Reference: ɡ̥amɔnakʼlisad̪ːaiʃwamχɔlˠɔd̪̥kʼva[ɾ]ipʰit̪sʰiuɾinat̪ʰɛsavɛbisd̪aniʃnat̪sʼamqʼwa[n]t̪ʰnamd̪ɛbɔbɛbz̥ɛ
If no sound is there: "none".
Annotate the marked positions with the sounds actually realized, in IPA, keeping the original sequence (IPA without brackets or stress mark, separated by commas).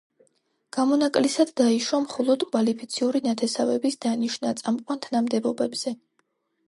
l, n